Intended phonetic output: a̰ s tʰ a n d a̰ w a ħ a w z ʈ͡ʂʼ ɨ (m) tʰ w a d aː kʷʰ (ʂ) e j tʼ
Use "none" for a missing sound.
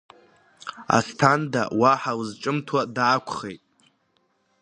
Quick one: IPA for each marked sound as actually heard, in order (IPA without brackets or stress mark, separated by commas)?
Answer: m, χ